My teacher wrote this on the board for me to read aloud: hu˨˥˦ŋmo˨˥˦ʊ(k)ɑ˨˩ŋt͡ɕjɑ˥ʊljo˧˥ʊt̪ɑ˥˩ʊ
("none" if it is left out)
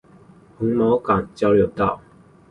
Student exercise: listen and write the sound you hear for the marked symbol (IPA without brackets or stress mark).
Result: k